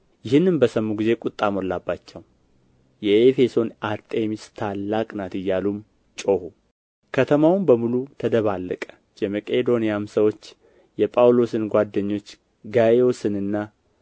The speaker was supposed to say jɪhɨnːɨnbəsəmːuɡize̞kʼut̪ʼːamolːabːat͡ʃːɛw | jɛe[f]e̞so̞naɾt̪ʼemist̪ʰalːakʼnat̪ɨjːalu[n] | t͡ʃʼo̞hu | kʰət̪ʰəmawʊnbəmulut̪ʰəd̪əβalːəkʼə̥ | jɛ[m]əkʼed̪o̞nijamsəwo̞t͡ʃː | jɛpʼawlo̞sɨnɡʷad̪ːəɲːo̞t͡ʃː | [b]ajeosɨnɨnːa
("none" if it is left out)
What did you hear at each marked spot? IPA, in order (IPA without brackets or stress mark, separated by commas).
f, m, m, ɡ